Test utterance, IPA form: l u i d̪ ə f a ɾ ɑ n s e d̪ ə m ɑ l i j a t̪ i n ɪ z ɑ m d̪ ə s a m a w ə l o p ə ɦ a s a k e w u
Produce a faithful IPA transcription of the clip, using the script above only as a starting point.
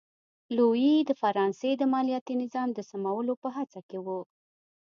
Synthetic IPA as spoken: l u i d̪ ə f a ɾ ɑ n s e d̪ ə m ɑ l i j a t̪ i n ɪ z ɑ m d̪ ə s a m a w ə l o p ə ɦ a t͡s a k e w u

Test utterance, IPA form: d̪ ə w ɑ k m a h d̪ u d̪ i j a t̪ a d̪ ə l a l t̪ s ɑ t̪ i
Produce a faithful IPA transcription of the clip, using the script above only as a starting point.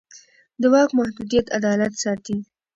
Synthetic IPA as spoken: d̪ ə w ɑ k m a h d̪ u d̪ i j a t̪ a d̪ ɑ l a t̪ s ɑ t̪ i

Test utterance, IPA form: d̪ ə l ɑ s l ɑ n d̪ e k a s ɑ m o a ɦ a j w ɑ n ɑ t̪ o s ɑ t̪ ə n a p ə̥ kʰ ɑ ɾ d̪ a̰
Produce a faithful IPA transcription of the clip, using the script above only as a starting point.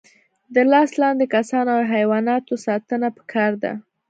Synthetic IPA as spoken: d̪ ə l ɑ s l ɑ n d̪ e k a s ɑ n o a ɦ a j w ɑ n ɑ t̪ o s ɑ t̪ ə n a p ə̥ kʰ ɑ ɾ d̪ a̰

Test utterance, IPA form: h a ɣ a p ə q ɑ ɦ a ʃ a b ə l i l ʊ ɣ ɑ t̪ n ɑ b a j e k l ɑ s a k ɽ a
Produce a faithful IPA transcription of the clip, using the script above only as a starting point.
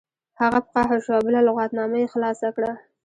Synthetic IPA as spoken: h a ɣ a p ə q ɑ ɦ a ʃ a b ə l a l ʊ ɣ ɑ t̪ n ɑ m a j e x l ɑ s a k ɽ a

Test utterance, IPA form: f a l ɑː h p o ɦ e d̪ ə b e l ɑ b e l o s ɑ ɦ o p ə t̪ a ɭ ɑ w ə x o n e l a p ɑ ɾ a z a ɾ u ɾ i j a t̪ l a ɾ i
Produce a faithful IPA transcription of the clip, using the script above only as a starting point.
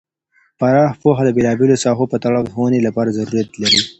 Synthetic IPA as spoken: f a ɾ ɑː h p o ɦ a d̪ ə b e l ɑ b e l o s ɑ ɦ o p ə t̪ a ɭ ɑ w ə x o n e l a p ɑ ɾ a z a ɾ u ɾ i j a t̪ l a ɾ i

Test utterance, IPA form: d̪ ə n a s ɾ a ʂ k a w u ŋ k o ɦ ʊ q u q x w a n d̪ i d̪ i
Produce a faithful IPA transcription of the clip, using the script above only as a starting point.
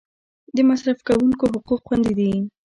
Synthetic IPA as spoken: d̪ ə m a s ɾ a f k a w u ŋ k o ɦ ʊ q u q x w a n d̪ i d̪ i

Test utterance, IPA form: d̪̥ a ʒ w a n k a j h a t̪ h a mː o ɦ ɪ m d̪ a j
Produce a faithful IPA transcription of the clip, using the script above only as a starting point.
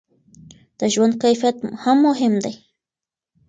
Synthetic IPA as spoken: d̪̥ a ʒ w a n k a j f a t̪ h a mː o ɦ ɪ m d̪ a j

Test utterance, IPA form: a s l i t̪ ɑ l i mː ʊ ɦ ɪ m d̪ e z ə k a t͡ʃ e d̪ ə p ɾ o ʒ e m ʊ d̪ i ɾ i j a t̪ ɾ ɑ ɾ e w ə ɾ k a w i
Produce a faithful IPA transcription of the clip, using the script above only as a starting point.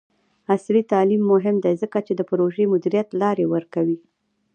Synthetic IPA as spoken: a s l i t̪ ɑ l i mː ʊ ɦ ɪ m d̪ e z ə k a t͡ʃ e d̪ ə p ɾ o ʒ e m ʊ d̪ i ɾ i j a t̪ l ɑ ɾ e w ə ɾ k a w i

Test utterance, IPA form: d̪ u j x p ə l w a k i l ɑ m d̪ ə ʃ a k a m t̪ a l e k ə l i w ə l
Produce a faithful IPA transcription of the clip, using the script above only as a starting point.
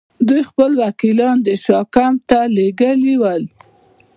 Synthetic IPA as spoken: d̪ u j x p ə l w a k i l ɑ n d̪ ə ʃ ɑ k a m t̪ a l e ɡ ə l i w ə l

